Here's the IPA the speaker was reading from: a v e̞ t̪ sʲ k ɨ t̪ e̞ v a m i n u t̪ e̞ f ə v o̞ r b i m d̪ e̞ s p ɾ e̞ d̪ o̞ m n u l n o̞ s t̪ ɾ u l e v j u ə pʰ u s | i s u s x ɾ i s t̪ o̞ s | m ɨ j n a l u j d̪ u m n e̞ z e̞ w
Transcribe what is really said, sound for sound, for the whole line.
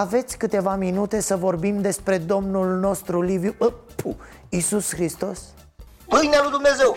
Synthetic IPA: a v e̞ t̪ sʲ k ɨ t̪ e̞ v a m i n u t̪ e̞ s ə v o̞ r b i m d̪ e̞ s p ɾ e̞ d̪ o̞ m n u l n o̞ s t̪ ɾ u l i v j u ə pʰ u | i s u s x ɾ i s t̪ o̞ s | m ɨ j n a l u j d̪ u m n e̞ z e̞ w